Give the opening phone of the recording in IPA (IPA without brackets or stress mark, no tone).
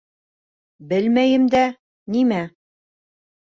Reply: b